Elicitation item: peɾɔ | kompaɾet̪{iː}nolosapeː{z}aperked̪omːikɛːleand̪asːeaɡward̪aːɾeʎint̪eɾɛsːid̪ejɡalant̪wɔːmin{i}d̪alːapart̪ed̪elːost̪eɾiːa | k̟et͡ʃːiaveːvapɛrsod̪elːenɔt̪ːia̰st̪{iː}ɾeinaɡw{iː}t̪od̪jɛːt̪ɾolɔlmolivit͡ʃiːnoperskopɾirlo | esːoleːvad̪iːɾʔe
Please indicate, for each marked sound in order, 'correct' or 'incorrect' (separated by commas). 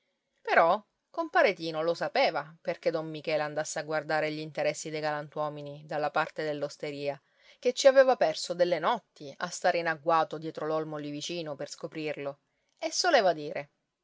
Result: correct, incorrect, correct, incorrect, incorrect